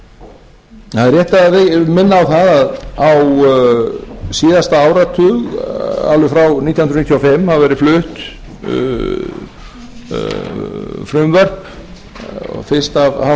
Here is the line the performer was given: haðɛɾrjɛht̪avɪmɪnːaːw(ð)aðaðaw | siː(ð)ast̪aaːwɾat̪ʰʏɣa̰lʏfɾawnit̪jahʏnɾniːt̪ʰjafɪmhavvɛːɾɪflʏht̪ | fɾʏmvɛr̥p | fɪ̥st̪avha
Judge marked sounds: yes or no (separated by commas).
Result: no, yes